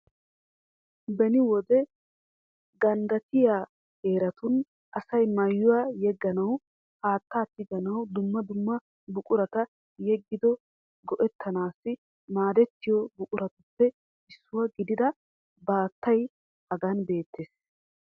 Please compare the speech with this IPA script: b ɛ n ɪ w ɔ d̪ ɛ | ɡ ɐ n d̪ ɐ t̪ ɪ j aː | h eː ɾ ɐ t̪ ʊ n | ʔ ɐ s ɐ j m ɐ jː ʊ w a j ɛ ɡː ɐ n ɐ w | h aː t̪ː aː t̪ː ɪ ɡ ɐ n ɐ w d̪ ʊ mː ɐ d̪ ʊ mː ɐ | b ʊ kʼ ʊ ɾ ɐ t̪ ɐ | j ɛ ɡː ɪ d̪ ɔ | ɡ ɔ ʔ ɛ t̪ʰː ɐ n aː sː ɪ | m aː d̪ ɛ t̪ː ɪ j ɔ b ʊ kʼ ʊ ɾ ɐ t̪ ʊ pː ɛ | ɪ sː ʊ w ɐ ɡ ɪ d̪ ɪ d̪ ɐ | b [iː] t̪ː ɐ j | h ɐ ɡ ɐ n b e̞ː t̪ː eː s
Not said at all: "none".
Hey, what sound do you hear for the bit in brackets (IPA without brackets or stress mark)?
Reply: aː